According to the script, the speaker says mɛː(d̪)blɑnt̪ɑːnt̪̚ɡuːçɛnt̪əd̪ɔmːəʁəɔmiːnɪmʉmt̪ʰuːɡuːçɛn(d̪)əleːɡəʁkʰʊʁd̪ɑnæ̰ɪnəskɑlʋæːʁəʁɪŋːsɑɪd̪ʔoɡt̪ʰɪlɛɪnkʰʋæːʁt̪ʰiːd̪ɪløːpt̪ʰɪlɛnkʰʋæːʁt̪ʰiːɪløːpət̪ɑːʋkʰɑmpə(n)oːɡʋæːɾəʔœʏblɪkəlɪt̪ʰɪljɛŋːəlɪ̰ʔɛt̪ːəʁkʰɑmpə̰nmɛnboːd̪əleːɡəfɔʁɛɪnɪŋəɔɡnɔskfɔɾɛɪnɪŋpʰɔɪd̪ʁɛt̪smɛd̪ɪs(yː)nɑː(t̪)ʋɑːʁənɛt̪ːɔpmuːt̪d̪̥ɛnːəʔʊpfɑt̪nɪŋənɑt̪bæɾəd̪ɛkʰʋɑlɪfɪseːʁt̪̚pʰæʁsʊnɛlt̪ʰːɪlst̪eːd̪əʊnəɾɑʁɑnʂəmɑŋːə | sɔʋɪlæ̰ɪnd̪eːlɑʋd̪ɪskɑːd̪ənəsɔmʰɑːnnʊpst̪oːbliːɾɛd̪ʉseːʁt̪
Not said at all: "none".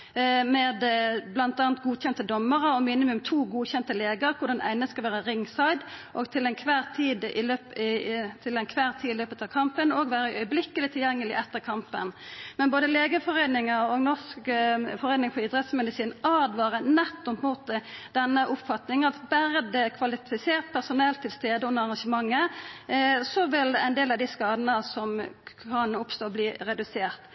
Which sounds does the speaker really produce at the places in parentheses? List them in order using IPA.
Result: d̪, t̪, n, iː, d̪

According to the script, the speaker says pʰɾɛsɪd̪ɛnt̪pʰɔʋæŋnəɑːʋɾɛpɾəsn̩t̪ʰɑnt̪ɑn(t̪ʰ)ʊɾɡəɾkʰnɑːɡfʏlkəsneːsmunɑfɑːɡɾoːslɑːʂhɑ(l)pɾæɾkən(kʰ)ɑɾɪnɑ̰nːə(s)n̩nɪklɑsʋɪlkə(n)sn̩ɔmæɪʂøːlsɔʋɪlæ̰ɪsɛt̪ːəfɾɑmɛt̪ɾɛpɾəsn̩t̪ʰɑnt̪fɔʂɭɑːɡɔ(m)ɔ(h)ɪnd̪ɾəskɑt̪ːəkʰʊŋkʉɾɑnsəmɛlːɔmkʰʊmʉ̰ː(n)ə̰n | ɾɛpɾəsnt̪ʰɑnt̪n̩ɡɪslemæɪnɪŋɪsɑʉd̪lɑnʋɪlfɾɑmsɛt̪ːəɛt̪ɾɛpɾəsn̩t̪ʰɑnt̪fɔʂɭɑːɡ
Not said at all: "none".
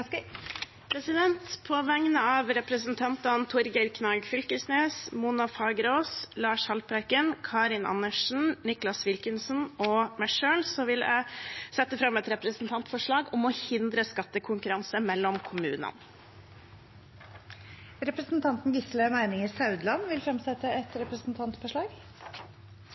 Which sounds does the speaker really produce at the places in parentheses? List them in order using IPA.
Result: t̪ʰ, l, kʰ, ʂ, n, m, h, n

